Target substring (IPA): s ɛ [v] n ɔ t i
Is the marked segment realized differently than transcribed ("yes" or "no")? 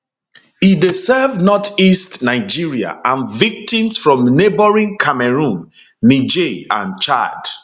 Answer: no